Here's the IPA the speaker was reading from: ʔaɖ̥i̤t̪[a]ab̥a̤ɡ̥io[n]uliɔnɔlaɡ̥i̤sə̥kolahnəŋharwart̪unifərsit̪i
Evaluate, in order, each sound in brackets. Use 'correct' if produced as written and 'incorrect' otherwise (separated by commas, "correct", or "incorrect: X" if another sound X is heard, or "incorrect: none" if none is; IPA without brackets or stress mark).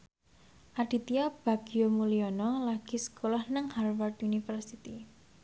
incorrect: i, incorrect: m